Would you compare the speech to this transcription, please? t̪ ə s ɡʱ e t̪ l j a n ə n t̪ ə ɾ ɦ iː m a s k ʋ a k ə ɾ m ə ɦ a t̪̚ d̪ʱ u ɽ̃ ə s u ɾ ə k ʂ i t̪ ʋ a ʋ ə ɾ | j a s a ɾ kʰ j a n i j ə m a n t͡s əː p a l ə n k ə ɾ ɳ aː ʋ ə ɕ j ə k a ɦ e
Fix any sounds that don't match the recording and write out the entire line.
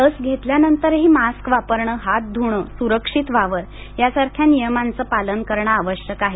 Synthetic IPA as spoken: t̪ ə s ɡʱ e t̪ l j a n ə n t̪ ə ɾ ɦ iː m a s k ʋ a p ə ɾ ɳ ə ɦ a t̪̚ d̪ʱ u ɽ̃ ə s u ɾ ə k ʂ i t̪ ʋ a ʋ ə ɾ | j a s a ɾ kʰ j a n i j ə m a n t͡s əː p a l ə n k ə ɾ ɳ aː ʋ ə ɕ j ə k a ɦ e